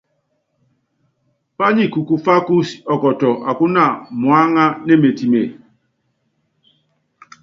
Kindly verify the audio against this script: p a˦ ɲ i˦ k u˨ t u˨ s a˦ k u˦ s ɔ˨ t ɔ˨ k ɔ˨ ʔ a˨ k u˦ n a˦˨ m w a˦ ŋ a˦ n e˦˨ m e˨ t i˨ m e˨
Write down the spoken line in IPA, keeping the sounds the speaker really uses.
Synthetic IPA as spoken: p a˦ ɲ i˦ k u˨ k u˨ f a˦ k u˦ s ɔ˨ k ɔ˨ t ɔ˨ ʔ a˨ k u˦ n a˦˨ m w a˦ ŋ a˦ n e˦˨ m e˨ t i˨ m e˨